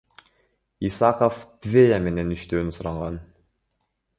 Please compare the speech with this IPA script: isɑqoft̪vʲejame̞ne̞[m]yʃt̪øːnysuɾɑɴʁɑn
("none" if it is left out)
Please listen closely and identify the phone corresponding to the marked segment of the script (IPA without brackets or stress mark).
n